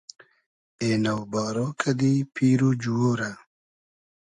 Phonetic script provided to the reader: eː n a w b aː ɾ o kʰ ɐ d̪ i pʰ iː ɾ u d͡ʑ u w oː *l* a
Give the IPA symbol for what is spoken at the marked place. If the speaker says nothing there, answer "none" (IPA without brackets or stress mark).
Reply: ɾ